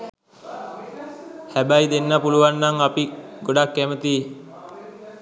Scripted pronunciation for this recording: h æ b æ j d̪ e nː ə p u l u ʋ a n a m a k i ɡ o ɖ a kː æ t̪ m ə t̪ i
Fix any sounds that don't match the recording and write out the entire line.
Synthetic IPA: h æ b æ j d̪ e nː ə p u l u ʋ a nː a ŋ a p i ɡ o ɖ a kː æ m ə t̪ i